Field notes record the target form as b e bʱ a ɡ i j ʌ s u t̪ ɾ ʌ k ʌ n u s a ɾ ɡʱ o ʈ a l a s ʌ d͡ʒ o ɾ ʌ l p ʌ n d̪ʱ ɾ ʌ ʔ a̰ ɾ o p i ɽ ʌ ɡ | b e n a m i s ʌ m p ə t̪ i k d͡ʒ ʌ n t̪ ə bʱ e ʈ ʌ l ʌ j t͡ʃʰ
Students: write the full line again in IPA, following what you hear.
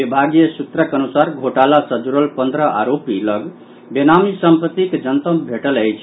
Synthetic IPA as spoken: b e bʱ a ɡ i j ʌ s u t̪ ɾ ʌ k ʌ n u s a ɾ ɡʱ o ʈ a l a s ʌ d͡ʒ u ɾ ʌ l p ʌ n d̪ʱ ɾ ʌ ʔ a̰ ɾ o p i l ʌ ɡ | b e n a m i s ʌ m p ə t̪ i k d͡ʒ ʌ n t̪ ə bʱ e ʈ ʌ l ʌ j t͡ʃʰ